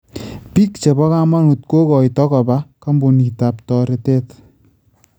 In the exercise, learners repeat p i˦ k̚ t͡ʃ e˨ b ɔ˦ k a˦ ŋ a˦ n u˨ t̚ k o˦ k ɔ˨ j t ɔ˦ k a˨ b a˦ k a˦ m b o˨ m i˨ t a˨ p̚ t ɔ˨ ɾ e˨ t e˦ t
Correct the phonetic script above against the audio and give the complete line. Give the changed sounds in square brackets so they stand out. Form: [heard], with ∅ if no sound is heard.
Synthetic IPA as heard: p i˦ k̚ t͡ʃ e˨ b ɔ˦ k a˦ [m] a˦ n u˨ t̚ k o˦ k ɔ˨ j t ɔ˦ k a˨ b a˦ k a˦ m b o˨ [n] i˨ t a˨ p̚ t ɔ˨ ɾ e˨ t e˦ t